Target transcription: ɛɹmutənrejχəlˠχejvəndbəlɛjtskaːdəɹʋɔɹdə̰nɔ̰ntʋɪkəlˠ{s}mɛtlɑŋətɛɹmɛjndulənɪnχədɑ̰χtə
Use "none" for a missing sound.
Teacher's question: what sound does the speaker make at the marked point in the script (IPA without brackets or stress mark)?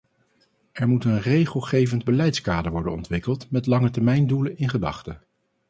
t